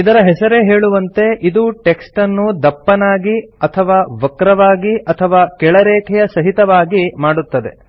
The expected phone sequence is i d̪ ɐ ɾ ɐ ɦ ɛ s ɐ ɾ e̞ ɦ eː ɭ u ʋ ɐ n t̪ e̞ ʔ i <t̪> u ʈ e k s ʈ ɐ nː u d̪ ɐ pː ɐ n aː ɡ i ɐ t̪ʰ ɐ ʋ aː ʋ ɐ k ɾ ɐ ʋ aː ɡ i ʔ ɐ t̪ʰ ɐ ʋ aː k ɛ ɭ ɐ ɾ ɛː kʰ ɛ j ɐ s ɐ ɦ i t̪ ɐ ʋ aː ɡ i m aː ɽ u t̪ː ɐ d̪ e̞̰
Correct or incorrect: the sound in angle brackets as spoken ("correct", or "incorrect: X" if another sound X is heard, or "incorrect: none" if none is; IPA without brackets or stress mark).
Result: incorrect: d̪